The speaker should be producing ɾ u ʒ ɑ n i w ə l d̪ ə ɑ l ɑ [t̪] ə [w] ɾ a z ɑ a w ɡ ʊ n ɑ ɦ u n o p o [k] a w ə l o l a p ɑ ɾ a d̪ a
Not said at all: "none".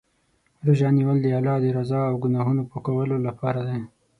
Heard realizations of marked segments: d̪, none, k

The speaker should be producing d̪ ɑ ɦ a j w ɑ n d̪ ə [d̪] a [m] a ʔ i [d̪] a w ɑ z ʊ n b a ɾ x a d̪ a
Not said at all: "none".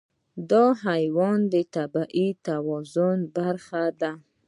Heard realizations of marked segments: t̪, b, t̪

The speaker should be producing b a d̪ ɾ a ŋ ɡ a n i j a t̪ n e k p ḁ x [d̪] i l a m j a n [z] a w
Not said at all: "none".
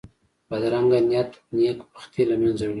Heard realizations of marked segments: t̪, z

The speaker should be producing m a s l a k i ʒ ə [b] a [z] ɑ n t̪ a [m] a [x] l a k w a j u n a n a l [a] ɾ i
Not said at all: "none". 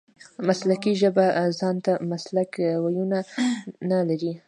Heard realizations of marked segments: b, z, m, s, a

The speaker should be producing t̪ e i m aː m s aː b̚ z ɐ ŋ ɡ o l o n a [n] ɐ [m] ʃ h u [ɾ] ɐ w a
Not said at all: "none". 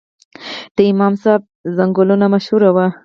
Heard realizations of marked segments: m, none, ɾ

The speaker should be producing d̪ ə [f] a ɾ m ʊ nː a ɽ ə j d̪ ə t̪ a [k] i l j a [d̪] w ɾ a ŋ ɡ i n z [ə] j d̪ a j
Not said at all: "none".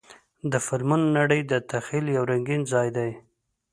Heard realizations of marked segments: f, x, none, ɑ

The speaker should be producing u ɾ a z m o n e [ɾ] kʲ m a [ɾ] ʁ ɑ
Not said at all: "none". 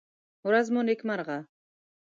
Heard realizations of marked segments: none, ɾ

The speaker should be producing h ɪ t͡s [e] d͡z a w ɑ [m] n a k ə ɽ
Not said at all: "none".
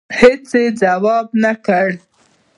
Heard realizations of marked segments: e, b

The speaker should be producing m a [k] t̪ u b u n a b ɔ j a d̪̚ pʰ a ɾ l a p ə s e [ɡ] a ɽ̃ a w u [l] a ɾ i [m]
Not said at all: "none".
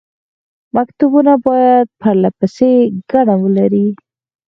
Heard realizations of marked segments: k, ɡ, l, none

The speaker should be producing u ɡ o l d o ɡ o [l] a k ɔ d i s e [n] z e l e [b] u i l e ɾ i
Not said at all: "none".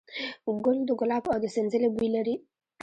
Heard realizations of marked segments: l, n, b

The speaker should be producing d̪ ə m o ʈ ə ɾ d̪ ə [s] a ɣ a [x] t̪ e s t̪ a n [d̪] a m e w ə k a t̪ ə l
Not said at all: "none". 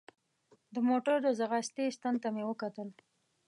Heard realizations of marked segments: z, s, t̪

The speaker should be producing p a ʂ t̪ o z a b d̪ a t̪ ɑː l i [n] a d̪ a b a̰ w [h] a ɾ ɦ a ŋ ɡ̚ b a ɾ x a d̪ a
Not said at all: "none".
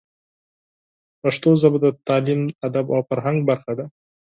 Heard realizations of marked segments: m, f

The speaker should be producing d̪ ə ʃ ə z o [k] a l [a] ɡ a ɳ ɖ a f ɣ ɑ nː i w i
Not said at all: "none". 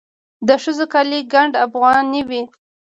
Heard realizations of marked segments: k, i

